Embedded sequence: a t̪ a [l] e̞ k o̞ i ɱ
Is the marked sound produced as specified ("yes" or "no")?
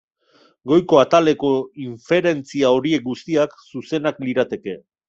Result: yes